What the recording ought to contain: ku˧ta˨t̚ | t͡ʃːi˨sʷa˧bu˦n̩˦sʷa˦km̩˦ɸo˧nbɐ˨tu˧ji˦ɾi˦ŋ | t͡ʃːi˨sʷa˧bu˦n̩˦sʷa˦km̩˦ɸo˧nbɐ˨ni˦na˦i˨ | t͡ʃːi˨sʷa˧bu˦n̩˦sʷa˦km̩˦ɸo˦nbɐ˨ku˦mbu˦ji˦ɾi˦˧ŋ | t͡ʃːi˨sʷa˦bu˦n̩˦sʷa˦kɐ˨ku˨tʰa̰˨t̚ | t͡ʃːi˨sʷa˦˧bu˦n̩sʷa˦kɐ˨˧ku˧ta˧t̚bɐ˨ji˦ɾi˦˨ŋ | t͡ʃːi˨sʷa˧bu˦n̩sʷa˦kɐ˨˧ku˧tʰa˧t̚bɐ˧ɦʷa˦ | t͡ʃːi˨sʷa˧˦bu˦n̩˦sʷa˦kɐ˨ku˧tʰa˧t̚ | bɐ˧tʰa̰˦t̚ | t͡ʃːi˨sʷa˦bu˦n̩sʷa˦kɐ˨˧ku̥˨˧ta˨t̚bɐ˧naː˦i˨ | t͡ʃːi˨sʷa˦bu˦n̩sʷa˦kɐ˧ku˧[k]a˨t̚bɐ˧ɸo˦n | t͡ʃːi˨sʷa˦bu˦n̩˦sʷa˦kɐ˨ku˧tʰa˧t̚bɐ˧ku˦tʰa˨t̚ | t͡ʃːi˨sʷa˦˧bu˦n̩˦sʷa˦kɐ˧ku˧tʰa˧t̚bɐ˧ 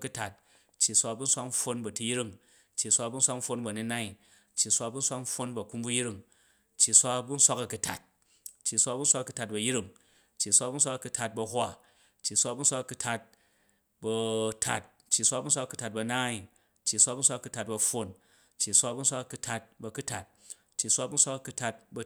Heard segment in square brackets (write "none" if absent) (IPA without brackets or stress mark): t